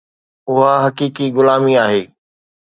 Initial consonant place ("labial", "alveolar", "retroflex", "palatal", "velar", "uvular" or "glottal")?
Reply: glottal